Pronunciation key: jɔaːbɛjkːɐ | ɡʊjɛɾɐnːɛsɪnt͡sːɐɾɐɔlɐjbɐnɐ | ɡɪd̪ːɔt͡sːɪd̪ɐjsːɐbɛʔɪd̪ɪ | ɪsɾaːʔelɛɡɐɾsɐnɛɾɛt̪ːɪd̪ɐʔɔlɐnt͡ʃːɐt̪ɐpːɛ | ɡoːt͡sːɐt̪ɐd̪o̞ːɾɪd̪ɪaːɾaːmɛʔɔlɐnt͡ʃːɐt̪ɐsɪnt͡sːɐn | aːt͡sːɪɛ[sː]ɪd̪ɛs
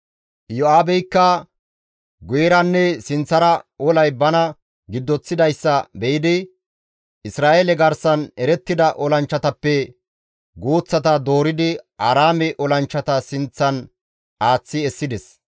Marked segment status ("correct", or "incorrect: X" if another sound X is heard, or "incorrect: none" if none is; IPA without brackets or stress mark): correct